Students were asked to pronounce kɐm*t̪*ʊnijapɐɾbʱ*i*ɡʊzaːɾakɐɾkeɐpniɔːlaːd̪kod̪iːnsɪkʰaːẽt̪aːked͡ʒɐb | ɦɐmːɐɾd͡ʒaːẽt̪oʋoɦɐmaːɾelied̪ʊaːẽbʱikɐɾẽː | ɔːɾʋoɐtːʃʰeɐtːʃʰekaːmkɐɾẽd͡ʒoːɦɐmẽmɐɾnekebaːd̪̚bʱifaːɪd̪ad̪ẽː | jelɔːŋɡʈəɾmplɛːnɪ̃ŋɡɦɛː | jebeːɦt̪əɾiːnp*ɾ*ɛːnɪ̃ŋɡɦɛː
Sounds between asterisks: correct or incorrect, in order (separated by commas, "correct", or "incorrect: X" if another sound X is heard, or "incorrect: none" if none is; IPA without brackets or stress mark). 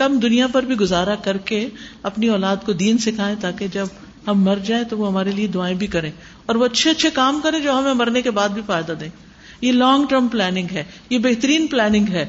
incorrect: d̪, correct, incorrect: l